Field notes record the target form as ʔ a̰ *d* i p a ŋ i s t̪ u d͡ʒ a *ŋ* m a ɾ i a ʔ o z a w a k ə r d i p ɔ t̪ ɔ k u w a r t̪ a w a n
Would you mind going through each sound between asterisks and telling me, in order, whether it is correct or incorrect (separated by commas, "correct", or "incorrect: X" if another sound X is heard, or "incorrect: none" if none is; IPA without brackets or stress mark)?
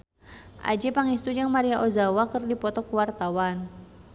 incorrect: d͡ʒ, correct